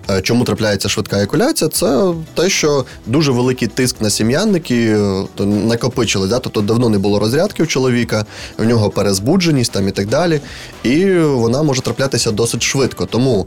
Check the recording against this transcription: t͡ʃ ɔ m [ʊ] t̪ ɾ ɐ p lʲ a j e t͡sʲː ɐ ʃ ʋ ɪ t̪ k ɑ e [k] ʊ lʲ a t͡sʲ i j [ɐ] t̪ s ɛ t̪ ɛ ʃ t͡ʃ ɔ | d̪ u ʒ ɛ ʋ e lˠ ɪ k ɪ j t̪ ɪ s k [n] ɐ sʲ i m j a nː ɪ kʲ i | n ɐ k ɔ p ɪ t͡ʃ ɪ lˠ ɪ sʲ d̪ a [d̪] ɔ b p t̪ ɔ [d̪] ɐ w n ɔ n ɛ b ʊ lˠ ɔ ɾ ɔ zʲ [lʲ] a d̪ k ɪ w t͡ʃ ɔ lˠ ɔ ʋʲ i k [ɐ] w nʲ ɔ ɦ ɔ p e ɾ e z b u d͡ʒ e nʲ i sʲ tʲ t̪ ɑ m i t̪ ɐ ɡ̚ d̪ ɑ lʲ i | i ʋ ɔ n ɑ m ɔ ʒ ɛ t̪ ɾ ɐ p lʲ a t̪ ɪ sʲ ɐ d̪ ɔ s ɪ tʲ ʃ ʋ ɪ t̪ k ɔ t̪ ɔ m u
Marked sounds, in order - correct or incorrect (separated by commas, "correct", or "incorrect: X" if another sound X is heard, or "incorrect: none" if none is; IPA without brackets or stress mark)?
incorrect: u, correct, correct, correct, incorrect: t̪, correct, incorrect: ɾʲ, correct